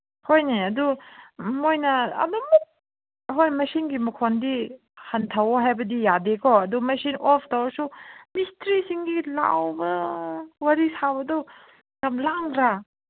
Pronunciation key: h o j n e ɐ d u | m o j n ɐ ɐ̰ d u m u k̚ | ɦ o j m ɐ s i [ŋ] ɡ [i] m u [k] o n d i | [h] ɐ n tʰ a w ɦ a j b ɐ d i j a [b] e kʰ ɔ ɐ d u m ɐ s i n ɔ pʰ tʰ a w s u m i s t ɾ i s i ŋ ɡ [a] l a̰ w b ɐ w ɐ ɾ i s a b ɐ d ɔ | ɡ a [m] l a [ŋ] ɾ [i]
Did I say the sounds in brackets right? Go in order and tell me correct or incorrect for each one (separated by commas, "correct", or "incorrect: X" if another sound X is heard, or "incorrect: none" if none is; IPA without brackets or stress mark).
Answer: incorrect: n, correct, incorrect: kʰ, correct, incorrect: d, incorrect: i, correct, correct, incorrect: a